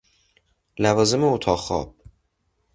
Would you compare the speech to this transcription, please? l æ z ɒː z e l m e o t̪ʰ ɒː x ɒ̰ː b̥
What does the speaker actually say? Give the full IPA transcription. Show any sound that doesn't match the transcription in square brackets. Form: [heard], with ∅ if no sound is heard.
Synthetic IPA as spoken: l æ [v] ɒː z e [∅] m e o t̪ʰ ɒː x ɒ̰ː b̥